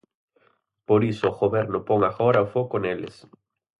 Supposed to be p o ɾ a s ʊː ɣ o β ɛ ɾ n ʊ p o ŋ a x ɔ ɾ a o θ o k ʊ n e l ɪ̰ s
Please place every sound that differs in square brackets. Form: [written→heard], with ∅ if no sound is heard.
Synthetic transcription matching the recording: p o ɾ [a→i] s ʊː ɣ o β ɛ ɾ n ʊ p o ŋ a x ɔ ɾ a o [θ→f] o k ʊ n e l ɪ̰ s